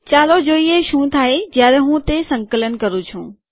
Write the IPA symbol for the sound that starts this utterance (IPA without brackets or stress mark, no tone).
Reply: t͡ɕ